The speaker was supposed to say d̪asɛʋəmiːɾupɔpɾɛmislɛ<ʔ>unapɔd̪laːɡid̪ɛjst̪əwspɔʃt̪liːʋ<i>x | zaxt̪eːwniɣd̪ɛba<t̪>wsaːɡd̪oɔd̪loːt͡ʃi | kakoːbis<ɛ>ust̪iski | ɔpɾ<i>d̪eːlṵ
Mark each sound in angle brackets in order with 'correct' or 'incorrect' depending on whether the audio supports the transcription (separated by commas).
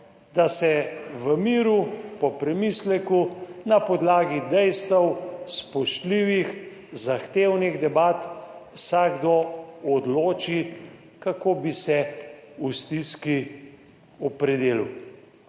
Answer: incorrect, correct, correct, correct, incorrect